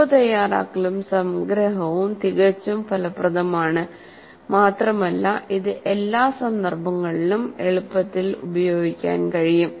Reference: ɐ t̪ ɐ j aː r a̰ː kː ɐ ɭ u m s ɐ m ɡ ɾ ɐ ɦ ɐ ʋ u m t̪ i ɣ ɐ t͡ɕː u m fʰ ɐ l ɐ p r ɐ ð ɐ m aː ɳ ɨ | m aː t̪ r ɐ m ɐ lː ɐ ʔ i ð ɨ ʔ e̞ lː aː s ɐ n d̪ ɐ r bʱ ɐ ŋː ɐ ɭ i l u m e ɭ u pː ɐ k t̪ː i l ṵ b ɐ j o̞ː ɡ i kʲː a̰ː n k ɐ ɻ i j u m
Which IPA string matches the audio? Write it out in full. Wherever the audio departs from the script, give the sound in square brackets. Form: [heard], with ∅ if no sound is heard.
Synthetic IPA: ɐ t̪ ɐ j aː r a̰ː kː ɐ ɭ u m s ɐ m ɡ ɾ ɐ ɦ ɐ ʋ u m t̪ i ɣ ɐ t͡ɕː u m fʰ ɐ l ɐ p r ɐ ð ɐ m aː ɳ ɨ | m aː t̪ r ɐ m ɐ lː ɐ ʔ i ð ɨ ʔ e̞ lː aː s ɐ n d̪ ɐ r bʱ ɐ ŋː ɐ ɭ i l u m e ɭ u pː ɐ [∅] t̪ː i l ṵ b ɐ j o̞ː ɡ i kʲː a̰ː n k ɐ ɻ i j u m